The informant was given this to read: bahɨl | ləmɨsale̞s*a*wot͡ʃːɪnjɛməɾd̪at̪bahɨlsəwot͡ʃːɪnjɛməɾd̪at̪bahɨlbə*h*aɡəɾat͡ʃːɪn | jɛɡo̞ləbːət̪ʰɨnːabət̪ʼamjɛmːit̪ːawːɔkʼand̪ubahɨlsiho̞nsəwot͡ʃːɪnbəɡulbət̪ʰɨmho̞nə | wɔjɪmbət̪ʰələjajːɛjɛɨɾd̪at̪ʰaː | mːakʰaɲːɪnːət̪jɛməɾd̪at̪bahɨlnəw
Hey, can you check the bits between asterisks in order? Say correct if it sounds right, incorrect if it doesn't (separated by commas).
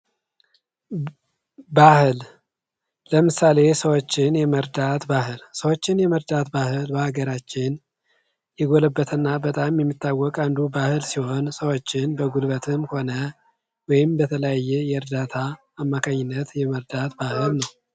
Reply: incorrect, correct